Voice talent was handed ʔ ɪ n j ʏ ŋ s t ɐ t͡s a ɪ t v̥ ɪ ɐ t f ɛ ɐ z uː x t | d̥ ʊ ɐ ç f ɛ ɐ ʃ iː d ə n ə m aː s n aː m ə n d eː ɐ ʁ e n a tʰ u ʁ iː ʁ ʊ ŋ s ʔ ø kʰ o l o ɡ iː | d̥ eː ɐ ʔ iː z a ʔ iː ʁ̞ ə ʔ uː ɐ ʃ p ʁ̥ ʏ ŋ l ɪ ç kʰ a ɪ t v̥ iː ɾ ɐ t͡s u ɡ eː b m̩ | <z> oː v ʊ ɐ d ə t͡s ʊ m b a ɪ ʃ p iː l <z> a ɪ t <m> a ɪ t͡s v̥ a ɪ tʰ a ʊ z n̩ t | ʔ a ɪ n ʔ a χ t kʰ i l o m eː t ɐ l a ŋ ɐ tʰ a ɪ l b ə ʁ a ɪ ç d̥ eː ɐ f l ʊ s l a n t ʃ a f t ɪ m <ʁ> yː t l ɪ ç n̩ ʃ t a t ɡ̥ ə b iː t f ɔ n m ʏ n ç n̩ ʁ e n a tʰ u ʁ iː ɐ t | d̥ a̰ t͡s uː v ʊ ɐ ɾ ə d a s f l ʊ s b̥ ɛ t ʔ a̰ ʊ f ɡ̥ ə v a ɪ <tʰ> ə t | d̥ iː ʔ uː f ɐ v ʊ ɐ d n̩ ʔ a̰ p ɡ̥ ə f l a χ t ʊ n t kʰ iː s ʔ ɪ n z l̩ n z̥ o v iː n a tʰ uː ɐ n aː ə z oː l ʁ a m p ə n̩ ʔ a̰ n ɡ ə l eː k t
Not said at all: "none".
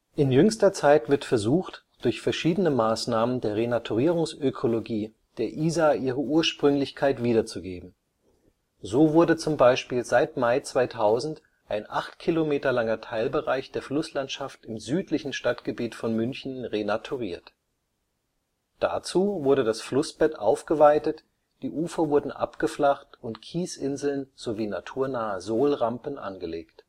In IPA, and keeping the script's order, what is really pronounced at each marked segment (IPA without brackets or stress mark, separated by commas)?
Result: z, z, m, z, t